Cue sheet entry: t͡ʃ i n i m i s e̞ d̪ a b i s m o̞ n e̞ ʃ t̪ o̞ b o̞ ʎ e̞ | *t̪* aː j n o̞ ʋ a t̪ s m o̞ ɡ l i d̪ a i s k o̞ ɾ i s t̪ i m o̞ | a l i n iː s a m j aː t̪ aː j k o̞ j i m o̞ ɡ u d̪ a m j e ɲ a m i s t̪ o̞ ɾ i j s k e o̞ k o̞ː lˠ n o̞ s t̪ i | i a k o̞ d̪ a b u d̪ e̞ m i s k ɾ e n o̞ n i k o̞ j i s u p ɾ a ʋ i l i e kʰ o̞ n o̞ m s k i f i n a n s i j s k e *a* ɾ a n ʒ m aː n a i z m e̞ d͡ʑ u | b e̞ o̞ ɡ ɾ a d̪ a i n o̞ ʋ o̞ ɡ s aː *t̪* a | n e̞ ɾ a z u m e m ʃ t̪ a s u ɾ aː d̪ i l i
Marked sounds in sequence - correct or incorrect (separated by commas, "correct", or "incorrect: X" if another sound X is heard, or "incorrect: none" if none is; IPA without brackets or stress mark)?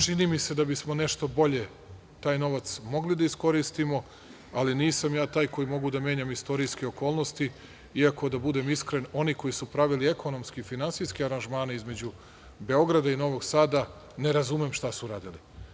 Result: correct, correct, incorrect: d̪